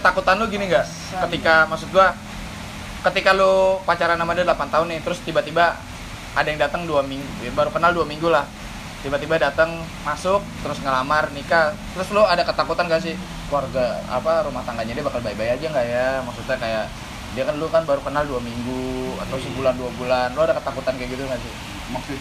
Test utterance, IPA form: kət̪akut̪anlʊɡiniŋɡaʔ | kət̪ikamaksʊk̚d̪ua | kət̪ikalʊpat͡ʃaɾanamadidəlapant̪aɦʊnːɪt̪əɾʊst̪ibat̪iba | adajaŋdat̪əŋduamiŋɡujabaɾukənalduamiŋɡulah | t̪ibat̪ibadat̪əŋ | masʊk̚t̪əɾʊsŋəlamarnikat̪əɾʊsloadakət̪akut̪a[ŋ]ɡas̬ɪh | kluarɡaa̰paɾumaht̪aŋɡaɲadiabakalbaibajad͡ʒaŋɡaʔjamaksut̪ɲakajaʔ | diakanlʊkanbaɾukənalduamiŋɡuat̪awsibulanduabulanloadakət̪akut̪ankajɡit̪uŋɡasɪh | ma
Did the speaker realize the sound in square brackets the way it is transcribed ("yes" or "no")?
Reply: no